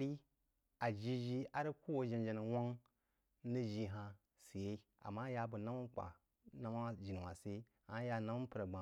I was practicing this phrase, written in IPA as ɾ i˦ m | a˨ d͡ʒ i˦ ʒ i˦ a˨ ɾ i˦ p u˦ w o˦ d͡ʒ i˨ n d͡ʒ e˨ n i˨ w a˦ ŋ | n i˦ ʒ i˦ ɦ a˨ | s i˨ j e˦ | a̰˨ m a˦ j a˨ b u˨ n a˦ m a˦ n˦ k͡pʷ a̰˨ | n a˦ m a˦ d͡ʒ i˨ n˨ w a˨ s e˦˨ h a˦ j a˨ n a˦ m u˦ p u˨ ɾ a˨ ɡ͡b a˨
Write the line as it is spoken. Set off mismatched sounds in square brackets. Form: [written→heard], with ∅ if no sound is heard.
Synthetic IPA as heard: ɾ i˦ [m→∅] | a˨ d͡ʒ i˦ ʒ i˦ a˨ ɾ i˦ [p→k] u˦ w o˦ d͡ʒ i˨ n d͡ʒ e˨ n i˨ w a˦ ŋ | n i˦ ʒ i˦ ɦ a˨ | s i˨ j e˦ | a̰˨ m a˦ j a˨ b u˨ n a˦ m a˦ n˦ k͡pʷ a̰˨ | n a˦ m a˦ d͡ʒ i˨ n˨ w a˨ s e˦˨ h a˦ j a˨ n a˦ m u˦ p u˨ ɾ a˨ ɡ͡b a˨